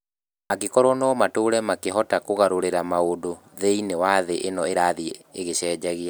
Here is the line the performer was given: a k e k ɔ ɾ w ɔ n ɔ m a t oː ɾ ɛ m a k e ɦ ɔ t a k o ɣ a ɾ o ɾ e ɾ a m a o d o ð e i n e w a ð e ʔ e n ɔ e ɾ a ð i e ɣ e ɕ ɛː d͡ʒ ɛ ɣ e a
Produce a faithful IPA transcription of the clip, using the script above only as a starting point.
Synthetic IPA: a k e k ɔ ɾ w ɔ n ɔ m a t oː ɾ ɛ m a k e ɦ ɔ t a k o ɣ a ɾ o ɾ e ɾ a m a o d o ð e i n e w a ð e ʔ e n ɔ e ɾ a ð i e ɣ e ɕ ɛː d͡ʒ ɛ ɣ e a